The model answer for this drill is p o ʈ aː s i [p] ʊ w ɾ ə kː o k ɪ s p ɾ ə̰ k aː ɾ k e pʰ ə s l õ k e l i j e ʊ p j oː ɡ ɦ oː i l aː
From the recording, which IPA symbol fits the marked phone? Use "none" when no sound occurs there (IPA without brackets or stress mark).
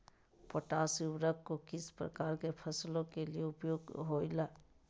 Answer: none